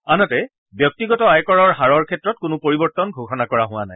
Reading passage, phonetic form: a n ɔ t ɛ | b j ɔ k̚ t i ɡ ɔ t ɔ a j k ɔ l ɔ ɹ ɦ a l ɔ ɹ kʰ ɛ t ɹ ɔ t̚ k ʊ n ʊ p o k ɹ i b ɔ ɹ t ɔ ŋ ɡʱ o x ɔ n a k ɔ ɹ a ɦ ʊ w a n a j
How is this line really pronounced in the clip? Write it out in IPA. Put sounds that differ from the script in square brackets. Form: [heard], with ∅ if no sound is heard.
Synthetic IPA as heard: a n ɔ t ɛ | b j ɔ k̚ t i ɡ ɔ t ɔ a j k ɔ [ɹ] ɔ ɹ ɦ a [ɹ] ɔ ɹ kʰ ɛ t ɹ ɔ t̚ k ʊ n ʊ p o [∅] ɹ i b ɔ ɹ t ɔ [n] ɡʱ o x ɔ n a k ɔ ɹ a ɦ ʊ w a n a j